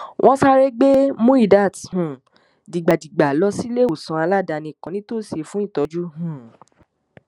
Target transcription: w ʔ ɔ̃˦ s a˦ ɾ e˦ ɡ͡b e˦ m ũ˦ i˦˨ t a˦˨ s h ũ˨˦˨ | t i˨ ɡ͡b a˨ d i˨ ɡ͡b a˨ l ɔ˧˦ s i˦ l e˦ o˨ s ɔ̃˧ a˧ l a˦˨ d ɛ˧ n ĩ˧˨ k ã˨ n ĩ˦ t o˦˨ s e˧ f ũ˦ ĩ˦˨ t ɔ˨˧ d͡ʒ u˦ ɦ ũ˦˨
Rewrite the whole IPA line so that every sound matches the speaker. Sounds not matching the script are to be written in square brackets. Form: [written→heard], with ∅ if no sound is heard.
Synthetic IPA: w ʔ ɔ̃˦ s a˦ ɾ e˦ ɡ͡b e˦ m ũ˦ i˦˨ [t→d] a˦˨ [s→t] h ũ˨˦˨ | [t→d] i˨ ɡ͡b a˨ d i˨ ɡ͡b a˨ l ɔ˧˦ s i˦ l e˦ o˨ s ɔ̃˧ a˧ l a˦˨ d [ɛ˧→a˧] n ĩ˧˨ k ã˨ n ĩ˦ t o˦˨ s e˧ f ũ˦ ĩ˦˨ t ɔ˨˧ d͡ʒ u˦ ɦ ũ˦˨